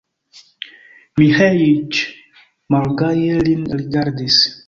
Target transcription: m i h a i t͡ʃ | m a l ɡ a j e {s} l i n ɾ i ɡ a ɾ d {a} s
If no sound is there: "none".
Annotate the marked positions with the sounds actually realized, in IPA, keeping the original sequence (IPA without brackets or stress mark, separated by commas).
none, i